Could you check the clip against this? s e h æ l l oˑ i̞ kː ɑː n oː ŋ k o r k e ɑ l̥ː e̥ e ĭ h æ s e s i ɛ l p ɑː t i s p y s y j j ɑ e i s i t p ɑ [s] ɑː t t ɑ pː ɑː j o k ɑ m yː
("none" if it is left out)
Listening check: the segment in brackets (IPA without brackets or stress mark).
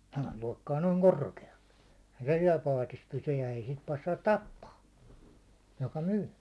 sː